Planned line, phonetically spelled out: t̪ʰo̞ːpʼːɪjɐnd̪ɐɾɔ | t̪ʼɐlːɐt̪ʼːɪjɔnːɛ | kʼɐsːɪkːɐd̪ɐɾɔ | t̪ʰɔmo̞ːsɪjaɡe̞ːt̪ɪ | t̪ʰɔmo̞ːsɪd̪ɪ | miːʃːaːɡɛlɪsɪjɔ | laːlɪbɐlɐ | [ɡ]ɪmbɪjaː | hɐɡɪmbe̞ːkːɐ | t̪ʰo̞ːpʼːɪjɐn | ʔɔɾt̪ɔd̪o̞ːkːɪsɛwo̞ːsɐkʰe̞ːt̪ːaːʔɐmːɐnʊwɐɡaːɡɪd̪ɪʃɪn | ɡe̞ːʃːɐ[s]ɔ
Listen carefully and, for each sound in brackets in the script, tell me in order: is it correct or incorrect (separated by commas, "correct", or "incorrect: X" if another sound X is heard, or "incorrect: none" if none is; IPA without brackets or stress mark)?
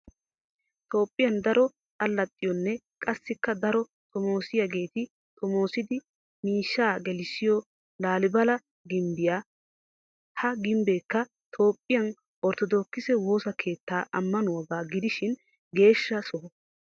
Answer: correct, correct